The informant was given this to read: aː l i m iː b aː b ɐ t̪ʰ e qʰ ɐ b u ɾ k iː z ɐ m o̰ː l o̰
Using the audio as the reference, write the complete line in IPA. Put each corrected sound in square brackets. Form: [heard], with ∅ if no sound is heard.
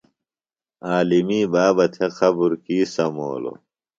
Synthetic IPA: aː l i m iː b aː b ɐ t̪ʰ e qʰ ɐ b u ɾ k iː [s] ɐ m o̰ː l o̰

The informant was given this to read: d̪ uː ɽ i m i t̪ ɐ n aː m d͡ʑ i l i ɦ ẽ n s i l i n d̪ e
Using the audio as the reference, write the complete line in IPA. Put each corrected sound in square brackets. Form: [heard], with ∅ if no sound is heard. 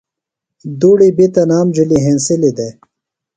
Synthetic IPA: d̪ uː ɽ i [b] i t̪ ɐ n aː m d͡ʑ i l i ɦ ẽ n s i l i [∅] d̪ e

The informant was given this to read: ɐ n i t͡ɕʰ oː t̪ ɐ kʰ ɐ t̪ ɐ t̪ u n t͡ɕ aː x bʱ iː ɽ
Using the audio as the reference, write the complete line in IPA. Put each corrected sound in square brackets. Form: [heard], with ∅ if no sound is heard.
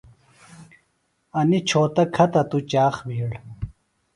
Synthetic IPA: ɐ n i t͡ɕʰ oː t̪ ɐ kʰ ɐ t̪ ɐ t̪ u [∅] t͡ɕ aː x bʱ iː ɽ

